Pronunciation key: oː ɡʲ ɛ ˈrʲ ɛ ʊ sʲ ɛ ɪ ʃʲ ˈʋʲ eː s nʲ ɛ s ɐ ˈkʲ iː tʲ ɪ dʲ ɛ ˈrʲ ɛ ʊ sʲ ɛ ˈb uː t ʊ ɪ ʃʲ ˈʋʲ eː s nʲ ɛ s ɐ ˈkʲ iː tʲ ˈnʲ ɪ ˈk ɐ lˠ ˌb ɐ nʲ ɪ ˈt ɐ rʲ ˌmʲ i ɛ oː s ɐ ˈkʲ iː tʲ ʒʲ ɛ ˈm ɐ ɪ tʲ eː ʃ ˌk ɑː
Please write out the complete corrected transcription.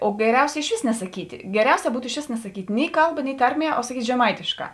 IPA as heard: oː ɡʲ ɛ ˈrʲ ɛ ʊ sʲ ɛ ɪ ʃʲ ˈʋʲ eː s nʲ ɛ s ɐ ˈkʲ iː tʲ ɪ ɡʲ ɛ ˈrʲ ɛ ʊ sʲ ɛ ˈb uː t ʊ ɪ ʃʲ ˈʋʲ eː s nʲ ɛ s ɐ ˈkʲ iː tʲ ˈnʲ ɪ ˈk ɐ lˠ ˌb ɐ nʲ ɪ ˈt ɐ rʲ ˌmʲ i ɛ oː s ɐ ˈkʲ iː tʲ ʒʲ ɛ ˈm ɐ ɪ tʲ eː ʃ ˌk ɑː